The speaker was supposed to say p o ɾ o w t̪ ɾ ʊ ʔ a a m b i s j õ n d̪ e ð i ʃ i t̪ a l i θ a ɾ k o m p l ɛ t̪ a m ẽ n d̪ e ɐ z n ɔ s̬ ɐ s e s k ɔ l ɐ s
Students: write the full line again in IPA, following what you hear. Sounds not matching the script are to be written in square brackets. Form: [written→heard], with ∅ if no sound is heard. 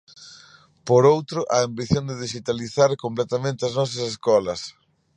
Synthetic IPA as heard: p o ɾ o w t̪ ɾ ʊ ʔ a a m b i [s→θ] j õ n d̪ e ð i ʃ i t̪ a l i θ a ɾ k o m p l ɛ t̪ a m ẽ n [d̪→t̪] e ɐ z n ɔ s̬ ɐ s e s k ɔ l ɐ s